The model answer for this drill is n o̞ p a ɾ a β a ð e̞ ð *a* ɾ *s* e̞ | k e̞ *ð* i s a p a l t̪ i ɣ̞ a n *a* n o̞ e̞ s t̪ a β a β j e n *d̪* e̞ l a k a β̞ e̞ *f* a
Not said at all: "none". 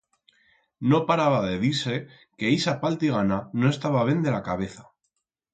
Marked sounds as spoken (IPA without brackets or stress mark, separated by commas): i, s, none, a, d̪, θ